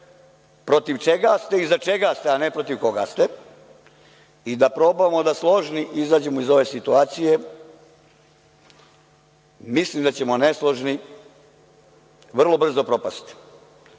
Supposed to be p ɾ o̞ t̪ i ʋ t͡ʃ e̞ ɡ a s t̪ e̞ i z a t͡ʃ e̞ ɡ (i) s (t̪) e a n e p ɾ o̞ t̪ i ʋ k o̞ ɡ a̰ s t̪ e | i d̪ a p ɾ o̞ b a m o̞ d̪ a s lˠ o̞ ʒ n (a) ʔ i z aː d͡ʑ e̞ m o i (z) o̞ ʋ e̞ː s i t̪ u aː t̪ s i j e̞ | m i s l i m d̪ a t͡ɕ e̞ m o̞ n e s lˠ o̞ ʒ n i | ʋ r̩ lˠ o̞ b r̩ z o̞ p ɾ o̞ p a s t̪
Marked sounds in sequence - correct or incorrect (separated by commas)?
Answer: incorrect, correct, incorrect, correct